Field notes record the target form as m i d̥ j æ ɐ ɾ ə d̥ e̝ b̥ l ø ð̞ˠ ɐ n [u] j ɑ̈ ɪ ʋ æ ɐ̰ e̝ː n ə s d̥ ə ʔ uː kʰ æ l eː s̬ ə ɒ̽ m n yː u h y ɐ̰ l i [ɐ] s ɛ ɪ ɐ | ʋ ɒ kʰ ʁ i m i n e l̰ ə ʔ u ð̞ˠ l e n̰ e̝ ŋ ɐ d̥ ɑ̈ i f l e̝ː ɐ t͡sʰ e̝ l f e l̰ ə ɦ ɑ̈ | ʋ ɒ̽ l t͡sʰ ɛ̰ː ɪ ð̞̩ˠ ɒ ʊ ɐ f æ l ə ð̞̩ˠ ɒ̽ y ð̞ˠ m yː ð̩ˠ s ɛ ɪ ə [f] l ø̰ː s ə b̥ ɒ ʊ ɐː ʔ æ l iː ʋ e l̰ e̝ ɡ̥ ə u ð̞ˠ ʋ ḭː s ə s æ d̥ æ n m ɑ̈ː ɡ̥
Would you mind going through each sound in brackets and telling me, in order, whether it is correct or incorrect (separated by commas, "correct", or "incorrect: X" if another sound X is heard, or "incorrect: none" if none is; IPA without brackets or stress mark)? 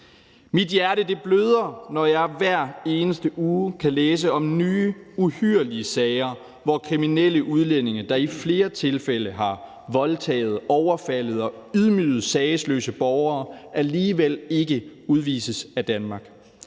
incorrect: ɒ, incorrect: ə, incorrect: s